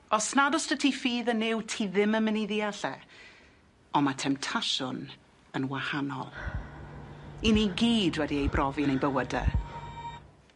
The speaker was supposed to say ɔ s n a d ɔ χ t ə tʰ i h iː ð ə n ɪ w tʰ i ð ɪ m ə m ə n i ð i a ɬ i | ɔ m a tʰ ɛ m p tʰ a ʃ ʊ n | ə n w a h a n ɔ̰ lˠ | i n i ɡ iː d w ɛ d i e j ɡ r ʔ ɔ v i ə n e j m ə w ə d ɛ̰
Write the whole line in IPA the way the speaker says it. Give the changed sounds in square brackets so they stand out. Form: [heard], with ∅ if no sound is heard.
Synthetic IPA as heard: ɔ s n a d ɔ [s] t ə tʰ i [f] iː ð ə n ɪ w tʰ i ð ɪ m ə m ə n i ð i a ɬ [ɛ] | ɔ m a tʰ ɛ m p tʰ a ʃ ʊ n | ə n w a h a n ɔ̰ lˠ | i n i ɡ iː d w ɛ d i e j [b] r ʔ ɔ v i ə n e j [b] ə w ə d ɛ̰